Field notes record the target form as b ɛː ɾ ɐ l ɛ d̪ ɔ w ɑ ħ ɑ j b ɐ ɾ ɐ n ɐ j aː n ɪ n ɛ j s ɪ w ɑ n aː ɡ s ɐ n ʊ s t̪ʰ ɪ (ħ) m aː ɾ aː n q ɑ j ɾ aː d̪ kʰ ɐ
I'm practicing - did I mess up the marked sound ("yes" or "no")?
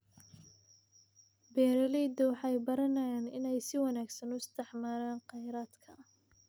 no